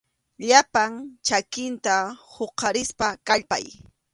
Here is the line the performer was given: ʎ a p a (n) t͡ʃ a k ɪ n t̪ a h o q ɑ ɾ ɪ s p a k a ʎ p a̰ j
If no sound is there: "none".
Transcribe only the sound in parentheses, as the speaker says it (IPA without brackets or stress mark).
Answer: ŋ